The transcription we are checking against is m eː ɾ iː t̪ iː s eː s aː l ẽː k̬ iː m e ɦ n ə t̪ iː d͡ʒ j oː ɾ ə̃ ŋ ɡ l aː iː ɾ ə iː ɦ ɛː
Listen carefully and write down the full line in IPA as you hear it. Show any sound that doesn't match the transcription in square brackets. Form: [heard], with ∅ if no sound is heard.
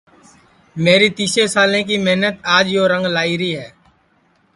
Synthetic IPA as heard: m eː ɾ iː t̪ iː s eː s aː l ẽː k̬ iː m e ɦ n ə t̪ [aː] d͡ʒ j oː ɾ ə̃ ŋ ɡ l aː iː ɾ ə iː ɦ ɛː